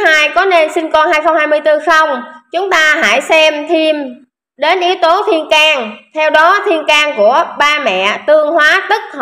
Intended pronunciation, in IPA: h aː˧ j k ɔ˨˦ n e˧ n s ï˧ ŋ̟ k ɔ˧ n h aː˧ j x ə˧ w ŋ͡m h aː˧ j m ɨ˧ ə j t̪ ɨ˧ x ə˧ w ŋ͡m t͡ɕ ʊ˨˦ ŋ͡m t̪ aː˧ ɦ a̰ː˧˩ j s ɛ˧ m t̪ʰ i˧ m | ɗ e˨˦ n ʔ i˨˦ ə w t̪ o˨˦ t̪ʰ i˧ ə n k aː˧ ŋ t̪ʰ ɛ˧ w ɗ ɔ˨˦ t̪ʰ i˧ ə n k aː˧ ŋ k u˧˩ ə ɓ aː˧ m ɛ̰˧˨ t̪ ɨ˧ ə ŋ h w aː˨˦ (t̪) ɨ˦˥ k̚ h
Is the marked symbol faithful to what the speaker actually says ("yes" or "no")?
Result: yes